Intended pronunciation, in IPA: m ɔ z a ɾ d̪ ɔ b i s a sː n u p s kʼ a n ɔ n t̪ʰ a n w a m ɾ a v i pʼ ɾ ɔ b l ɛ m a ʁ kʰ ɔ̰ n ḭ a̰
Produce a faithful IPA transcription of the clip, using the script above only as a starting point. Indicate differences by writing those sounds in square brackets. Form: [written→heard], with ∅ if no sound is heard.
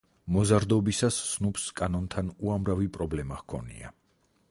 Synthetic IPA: m ɔ z a ɾ d̪ ɔ b i s a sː n u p s kʼ a n ɔ n t̪ʰ a n [w→u] a m ɾ a v i pʼ ɾ ɔ b l ɛ m a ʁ kʰ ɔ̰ n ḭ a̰